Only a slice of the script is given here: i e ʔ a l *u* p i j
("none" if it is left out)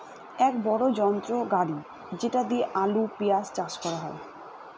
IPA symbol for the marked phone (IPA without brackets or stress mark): u